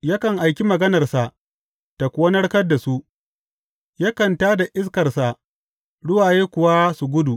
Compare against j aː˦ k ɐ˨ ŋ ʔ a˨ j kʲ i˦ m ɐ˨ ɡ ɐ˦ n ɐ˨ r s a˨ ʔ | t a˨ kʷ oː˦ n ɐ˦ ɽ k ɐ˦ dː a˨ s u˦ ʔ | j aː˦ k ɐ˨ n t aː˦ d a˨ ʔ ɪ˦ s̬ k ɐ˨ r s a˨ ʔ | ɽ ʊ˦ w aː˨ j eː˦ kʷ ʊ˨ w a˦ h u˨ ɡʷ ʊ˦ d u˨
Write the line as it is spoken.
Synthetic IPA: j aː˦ k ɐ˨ ŋ ʔ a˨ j kʲ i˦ m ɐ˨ ɡ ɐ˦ n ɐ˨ r s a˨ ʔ | t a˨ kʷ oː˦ n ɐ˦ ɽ k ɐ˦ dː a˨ s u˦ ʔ | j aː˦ k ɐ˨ n t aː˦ d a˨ ʔ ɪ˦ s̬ k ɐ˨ r s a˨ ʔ | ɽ ʊ˦ w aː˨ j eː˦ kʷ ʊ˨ w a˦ s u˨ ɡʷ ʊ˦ d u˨

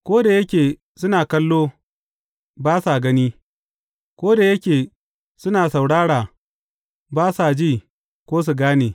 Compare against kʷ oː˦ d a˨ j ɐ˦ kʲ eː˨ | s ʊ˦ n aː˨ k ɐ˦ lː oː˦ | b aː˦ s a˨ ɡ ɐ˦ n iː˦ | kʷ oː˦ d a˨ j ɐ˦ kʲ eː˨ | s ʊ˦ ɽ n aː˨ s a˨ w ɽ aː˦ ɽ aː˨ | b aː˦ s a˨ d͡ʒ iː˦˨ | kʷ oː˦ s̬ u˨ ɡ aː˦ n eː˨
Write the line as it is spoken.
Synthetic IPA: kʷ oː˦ d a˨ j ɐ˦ kʲ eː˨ | s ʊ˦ n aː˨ k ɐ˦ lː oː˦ | b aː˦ s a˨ ɡ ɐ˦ n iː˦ | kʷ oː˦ d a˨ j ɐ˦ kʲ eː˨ | s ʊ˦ n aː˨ s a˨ w ɽ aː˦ ɽ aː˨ | b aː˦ s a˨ d͡ʒ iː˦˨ | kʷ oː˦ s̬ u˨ ɡ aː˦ n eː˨

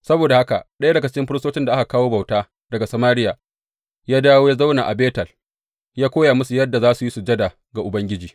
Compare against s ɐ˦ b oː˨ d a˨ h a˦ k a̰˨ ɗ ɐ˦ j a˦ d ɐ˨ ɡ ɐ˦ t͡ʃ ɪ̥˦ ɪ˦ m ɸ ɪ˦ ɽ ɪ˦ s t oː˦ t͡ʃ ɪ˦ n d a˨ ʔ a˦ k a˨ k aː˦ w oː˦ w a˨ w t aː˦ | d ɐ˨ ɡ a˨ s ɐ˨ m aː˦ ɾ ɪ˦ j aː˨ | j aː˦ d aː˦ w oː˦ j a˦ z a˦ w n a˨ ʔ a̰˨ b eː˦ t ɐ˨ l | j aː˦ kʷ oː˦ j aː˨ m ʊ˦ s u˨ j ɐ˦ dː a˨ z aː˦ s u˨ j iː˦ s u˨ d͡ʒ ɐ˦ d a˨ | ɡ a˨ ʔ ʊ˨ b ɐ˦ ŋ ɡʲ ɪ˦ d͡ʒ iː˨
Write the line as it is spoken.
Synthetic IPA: s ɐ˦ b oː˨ d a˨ h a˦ k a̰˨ ɗ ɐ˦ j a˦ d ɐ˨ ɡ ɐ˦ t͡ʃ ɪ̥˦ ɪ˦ m ɸ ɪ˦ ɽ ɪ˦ s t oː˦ t͡ʃ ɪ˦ n d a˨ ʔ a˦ k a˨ k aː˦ w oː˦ b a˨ w t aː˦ | d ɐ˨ ɡ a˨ s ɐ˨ m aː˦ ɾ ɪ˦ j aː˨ | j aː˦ d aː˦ w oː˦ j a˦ z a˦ w n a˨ ʔ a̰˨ b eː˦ t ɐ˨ l | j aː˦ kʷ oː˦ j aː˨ m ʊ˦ s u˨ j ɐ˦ dː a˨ z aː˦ s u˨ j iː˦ s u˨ d͡ʒ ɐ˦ d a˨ | ɡ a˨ ʔ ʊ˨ b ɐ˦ ŋ ɡʲ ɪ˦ d͡ʒ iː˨

